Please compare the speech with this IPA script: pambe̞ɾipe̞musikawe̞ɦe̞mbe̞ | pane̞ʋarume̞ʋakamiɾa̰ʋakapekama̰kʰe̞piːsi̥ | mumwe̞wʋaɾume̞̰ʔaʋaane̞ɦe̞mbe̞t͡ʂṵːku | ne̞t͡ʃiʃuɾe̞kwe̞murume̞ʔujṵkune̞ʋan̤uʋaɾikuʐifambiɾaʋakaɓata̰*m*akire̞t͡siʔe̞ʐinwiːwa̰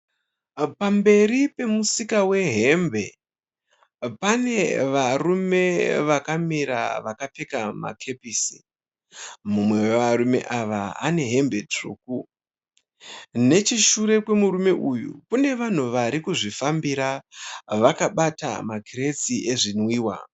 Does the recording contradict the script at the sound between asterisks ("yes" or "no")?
no